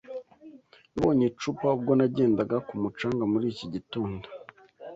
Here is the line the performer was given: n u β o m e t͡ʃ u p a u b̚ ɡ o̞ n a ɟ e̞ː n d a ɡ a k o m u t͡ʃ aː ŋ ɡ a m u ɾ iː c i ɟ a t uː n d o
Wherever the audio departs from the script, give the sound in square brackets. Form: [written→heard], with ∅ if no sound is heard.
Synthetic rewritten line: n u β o [m→ɲ] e t͡ʃ u p a u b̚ ɡ o̞ n a ɟ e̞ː n d a ɡ a k [o→u] m u t͡ʃ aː ŋ ɡ a m u ɾ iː c i ɟ [a→i] t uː n d o